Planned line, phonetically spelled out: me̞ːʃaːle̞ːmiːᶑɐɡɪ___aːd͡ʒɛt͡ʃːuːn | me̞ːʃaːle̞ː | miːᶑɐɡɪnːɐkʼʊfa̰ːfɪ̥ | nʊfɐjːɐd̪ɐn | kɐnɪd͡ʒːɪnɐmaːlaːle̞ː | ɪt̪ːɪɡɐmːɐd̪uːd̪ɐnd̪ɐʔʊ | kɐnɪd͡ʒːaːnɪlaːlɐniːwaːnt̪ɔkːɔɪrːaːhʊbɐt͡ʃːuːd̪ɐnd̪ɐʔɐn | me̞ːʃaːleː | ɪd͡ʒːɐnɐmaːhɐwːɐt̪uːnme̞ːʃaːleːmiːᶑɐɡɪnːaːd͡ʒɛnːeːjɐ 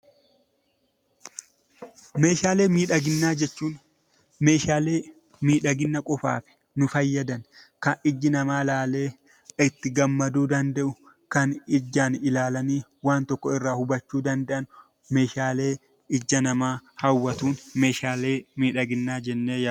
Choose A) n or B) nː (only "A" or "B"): B